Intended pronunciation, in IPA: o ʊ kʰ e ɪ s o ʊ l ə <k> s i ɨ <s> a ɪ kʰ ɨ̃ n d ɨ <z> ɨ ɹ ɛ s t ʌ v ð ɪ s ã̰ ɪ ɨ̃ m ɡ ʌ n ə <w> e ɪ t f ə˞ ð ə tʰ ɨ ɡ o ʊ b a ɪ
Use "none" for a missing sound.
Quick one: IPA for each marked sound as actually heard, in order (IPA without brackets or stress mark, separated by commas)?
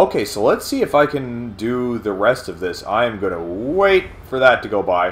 t, f, ð, w